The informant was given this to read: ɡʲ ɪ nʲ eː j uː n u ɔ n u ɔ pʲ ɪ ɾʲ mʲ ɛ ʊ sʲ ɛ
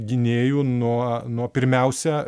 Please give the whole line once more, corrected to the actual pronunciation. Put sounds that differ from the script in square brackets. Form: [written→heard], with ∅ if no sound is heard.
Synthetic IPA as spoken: ɡʲ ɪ nʲ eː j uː n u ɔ n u ɔ pʲ ɪ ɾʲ mʲ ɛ ʊ sʲ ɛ